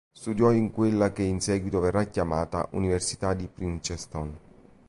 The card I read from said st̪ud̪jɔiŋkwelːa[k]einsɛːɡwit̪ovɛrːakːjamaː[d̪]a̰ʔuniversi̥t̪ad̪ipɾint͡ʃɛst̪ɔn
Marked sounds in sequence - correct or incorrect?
correct, incorrect

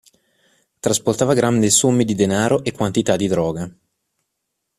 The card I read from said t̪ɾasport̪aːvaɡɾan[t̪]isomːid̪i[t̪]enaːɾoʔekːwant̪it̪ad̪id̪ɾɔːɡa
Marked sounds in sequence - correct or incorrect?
incorrect, incorrect

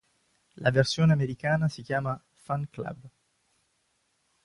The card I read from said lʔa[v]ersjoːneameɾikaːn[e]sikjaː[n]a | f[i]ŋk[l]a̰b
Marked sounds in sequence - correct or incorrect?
correct, incorrect, incorrect, incorrect, correct

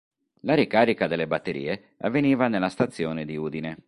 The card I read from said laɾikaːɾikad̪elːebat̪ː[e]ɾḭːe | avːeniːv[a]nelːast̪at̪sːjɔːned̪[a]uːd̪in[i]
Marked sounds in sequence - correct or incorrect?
correct, correct, incorrect, incorrect

